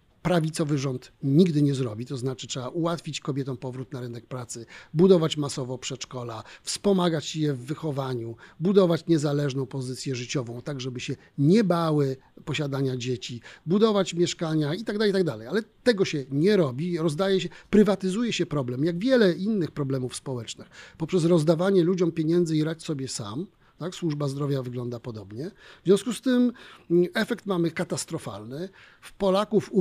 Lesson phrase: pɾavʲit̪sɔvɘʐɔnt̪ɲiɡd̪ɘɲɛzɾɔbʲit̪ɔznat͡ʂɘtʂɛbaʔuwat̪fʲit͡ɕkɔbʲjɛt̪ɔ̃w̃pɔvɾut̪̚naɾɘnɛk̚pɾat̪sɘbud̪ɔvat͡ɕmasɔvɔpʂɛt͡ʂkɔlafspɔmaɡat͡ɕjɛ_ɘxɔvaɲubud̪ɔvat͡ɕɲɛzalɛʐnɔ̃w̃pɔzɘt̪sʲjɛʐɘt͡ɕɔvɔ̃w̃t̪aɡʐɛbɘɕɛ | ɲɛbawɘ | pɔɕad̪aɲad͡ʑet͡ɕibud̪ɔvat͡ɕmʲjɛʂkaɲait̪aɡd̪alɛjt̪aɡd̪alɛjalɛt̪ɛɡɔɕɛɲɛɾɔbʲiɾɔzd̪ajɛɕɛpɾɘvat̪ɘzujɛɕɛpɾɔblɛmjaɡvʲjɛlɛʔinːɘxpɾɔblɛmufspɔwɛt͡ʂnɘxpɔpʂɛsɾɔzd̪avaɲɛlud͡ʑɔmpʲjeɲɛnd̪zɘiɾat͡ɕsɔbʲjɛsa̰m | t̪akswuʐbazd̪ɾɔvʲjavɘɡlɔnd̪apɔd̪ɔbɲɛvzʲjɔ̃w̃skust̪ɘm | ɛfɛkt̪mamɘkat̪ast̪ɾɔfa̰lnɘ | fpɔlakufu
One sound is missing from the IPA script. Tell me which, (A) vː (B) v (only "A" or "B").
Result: A